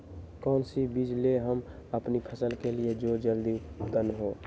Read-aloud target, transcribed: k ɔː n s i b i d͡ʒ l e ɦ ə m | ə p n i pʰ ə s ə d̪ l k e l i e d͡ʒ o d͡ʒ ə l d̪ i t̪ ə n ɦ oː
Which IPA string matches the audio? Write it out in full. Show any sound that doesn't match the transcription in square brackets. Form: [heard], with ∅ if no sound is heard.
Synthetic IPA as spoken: k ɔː n s i b i d͡ʒ l e ɦ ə m | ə p n i pʰ ə s ə [∅] l k e l i e d͡ʒ o d͡ʒ ə l d̪ i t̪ ə n ɦ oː

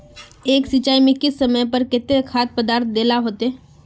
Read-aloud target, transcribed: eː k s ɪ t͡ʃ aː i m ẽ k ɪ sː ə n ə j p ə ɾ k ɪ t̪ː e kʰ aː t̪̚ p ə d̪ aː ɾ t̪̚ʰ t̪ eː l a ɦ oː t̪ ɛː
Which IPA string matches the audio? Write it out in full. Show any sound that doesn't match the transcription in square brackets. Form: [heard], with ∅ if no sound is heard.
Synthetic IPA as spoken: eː k s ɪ t͡ʃ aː i m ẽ k ɪ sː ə [m] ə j p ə ɾ k ɪ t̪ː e kʰ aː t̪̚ p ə d̪ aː ɾ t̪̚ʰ [d̪] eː l a ɦ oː t̪ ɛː

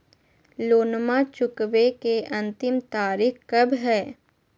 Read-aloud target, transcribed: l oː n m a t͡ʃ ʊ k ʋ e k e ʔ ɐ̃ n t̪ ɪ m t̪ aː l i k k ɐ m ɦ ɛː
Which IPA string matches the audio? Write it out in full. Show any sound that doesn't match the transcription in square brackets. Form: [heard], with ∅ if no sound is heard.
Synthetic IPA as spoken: l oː n m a t͡ʃ ʊ k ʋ e k e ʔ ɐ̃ n t̪ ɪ m t̪ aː [ɾ] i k k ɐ [b] ɦ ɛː

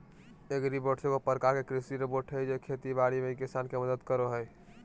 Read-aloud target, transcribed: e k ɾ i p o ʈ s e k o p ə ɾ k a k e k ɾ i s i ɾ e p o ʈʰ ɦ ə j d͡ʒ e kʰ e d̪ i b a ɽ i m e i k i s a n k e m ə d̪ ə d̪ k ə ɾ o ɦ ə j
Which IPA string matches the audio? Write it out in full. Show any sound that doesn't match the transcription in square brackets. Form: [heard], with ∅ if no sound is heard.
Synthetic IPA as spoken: e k ɾ i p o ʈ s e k o p ə ɾ k a k e k ɾ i s i ɾ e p o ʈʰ ɦ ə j d͡ʒ e kʰ e [t̪] i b a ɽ i m e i k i s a n k e m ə d̪ ə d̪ k ə ɾ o ɦ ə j

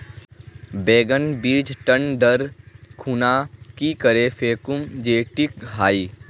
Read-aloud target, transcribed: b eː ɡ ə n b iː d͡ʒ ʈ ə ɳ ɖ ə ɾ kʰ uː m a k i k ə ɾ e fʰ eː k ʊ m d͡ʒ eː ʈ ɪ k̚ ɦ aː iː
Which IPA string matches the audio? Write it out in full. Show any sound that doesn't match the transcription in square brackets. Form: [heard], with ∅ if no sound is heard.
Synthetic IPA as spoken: b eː ɡ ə n b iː d͡ʒ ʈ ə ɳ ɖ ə ɾ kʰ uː [n] a k i k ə ɾ e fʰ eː k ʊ m d͡ʒ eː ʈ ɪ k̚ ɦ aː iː

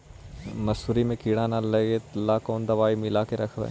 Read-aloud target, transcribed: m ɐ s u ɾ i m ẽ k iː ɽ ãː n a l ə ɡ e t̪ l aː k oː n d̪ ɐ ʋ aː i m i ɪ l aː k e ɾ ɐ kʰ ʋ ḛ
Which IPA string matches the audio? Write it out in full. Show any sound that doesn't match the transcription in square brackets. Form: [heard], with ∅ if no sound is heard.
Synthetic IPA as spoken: m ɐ s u ɾ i m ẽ k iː ɽ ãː n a l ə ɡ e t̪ l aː k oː n d̪ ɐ ʋ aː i m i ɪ l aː k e ɾ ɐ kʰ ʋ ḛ

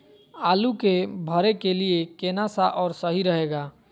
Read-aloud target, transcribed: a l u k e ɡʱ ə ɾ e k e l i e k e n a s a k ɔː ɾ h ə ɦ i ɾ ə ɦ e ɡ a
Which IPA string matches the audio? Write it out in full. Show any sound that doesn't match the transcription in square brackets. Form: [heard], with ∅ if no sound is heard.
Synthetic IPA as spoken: a l u k e [bʱ] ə ɾ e k e l i e k e n a s a [ʔ] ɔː ɾ [s] ə ɦ i ɾ ə ɦ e ɡ a

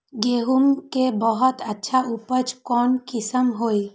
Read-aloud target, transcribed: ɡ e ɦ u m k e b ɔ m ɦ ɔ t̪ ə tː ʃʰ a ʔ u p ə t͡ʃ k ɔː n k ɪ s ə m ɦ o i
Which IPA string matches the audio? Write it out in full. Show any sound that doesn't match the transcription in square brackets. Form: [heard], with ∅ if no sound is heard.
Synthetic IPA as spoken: ɡ e ɦ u m k e b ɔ [∅] ɦ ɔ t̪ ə tː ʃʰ a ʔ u p ə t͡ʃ k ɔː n k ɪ s ə m ɦ o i

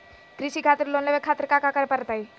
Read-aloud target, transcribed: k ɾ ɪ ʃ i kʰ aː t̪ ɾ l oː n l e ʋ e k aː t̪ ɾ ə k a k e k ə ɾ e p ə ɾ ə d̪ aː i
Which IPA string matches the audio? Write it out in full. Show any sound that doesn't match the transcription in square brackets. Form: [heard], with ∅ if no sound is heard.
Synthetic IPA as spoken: k ɾ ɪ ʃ i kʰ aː t̪ ɾ l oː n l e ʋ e [kʰ] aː t̪ ɾ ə k a k [a] k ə ɾ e p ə ɾ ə [t̪] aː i

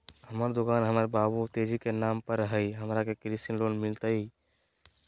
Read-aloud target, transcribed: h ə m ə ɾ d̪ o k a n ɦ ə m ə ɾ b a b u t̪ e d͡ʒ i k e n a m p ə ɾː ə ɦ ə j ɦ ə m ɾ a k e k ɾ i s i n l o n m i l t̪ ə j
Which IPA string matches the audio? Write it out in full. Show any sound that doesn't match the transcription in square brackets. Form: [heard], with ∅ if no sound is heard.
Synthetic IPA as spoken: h ə m ə ɾ d̪ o k a n ɦ ə m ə ɾ b a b u t̪ e d͡ʒ i k e n a m p ə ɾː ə ɦ ə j ɦ ə m ɾ a k e k ɾ i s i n l o n m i l t̪ ə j

